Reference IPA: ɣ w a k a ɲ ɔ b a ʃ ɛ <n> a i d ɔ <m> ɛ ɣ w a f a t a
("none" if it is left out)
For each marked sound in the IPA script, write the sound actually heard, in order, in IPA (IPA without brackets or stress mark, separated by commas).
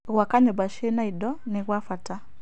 n, n